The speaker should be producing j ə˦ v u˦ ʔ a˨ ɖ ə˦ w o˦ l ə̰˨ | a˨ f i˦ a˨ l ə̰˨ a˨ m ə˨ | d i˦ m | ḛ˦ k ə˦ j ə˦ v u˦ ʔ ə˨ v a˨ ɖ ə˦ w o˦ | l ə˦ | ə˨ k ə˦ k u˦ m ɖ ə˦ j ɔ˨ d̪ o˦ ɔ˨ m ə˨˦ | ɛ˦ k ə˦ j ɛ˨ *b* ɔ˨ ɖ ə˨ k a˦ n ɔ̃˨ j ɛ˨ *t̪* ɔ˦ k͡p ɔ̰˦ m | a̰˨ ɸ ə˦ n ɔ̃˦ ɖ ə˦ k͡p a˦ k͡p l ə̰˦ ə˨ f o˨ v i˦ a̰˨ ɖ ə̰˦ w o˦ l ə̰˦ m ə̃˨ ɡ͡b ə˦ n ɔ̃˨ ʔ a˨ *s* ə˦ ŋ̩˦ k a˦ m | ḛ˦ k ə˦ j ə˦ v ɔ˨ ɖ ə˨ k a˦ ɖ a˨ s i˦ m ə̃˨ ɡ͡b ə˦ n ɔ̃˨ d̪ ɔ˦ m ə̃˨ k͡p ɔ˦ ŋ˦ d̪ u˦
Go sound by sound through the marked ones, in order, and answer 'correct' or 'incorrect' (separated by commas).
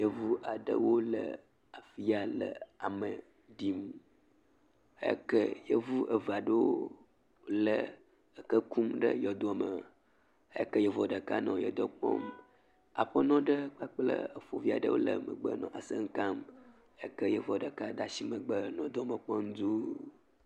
incorrect, incorrect, correct